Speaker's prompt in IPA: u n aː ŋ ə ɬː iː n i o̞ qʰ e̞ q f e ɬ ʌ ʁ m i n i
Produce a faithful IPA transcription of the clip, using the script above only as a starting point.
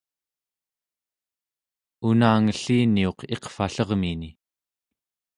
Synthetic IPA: u n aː ŋ ə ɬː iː n i o̞ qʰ e̞ q f a ɬ ʌ ʁ m i n i